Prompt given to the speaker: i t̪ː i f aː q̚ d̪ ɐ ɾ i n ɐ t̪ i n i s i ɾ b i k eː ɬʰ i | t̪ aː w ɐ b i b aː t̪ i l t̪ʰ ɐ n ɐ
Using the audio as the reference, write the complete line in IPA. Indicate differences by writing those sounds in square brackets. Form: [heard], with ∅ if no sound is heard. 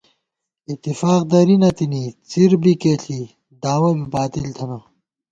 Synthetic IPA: i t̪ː i f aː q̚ d̪ ɐ ɾ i n ɐ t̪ i n i [t͡s] i ɾ b i k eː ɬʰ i | [d̪] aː w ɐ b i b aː t̪ i l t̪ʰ ɐ n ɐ